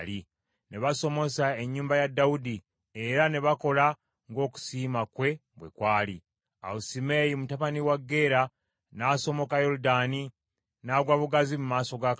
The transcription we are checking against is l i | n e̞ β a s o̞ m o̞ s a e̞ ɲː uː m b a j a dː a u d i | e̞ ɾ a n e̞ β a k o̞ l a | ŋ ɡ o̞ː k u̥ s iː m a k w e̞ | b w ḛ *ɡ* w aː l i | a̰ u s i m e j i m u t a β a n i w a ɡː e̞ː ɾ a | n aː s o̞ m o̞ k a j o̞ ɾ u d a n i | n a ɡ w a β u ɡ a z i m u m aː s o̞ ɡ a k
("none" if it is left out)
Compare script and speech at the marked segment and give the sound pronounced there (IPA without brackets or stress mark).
k